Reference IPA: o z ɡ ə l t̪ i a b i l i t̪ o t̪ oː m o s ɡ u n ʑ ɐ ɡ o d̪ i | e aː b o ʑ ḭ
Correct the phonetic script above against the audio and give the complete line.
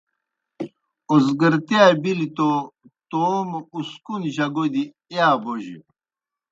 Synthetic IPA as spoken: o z ɡ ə ɾ t̪ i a b i l i t̪ o t̪ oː m u s k u n ʑ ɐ ɡ o d̪ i | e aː b o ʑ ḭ